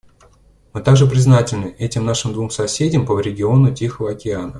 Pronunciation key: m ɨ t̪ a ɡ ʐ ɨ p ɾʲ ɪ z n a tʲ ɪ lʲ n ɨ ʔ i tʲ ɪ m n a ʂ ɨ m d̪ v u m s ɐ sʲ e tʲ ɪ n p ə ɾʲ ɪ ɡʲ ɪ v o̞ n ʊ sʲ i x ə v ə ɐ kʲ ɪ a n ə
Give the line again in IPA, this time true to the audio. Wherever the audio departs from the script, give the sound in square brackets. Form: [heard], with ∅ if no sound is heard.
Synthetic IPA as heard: m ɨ t̪ a ɡ ʐ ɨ p ɾʲ ɪ z n a tʲ ɪ lʲ n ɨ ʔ [ɛ] tʲ ɪ m n a ʂ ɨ m d̪ v u m s ɐ sʲ e [dʲ] ɪ [m] p ə ɾʲ ɪ ɡʲ ɪ [∅] o̞ n ʊ [tʲ] i x ə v ə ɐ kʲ ɪ a n ə